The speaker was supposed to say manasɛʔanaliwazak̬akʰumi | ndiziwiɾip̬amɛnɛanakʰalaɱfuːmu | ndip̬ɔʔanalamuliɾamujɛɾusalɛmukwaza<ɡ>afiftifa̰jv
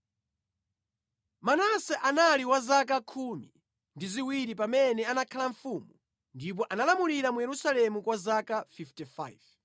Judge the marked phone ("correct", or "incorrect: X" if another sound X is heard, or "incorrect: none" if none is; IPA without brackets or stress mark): incorrect: k